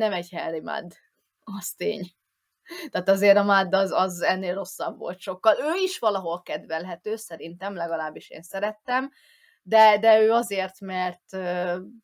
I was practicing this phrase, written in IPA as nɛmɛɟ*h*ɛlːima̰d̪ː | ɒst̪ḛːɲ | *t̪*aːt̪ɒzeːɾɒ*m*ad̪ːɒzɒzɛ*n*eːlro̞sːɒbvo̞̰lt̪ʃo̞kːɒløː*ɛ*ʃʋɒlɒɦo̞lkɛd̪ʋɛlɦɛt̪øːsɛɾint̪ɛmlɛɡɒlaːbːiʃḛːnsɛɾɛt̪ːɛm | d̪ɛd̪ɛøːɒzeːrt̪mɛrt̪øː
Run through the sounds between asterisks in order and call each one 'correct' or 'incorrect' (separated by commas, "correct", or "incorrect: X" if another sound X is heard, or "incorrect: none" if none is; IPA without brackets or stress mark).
correct, correct, correct, incorrect: nː, incorrect: i